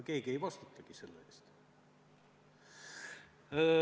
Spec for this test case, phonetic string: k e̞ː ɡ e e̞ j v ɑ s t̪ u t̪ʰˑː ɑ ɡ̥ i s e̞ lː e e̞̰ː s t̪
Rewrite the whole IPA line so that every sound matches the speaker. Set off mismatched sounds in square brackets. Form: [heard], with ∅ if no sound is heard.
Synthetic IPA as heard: k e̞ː ɡ [i] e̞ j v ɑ s t̪ u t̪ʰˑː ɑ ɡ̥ i s e̞ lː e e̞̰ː s t̪